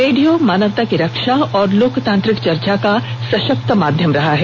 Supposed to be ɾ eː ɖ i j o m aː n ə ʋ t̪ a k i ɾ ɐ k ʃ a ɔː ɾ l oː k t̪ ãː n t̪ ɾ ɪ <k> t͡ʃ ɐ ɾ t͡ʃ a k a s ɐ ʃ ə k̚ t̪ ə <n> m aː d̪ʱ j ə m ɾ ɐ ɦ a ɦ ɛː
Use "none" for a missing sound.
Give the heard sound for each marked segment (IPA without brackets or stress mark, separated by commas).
k, none